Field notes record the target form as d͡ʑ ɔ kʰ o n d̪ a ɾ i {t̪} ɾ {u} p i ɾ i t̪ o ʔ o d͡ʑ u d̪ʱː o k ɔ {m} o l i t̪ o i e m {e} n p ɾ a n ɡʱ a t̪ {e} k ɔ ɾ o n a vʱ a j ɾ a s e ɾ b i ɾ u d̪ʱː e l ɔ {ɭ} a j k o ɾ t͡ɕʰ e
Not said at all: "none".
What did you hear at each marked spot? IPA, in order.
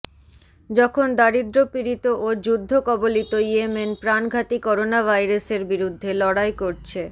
d̪, o, b, e, i, ɽ

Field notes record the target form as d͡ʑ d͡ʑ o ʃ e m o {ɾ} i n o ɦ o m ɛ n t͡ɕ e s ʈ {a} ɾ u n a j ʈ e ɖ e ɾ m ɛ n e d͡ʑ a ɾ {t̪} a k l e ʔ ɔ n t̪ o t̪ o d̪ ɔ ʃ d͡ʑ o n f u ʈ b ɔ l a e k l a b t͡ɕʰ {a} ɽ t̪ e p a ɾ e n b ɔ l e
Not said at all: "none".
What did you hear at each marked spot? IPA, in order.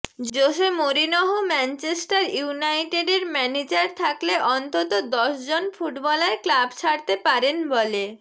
ɾ, a, t̪ʰ, a

